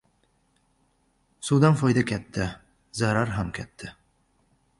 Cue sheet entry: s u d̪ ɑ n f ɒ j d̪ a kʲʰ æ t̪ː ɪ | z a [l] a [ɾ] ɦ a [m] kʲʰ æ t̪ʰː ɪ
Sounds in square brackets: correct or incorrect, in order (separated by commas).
incorrect, correct, correct